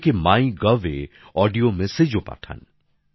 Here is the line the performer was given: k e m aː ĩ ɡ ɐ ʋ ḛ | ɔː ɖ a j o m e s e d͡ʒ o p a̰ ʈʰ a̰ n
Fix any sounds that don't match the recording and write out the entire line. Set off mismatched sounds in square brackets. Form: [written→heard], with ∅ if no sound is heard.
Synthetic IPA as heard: k e m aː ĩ ɡ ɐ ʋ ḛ | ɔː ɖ [a→i] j o m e s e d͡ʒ o p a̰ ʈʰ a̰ n